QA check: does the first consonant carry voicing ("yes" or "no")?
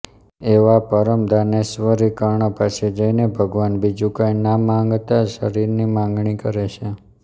yes